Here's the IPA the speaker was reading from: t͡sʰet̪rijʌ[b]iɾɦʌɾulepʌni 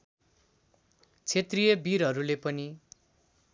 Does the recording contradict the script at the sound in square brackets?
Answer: no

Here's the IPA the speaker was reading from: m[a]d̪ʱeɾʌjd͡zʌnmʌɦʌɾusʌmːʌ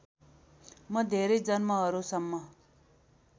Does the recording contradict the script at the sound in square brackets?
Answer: yes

